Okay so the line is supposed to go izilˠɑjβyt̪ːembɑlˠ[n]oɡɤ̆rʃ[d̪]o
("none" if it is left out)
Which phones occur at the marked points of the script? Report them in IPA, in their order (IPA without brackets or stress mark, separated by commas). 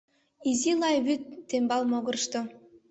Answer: m, t̪